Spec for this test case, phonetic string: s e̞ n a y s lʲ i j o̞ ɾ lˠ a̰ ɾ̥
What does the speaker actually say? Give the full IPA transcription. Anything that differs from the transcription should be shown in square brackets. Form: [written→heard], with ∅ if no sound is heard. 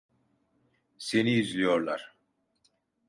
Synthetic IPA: s e̞ n [a→i] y [s→z] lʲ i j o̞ ɾ lˠ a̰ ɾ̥